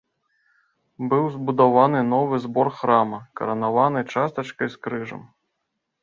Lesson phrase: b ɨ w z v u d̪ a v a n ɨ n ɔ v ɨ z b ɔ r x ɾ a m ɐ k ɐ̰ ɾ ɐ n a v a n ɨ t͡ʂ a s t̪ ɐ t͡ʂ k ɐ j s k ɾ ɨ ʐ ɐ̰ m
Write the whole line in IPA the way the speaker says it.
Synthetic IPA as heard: b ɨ w z b u d̪ a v a n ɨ n ɔ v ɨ z b ɔ r x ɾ a m ɐ k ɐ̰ ɾ ɐ n a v a n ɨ t͡ʂ a s t̪ ɐ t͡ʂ k ɐ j s k ɾ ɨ ʐ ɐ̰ m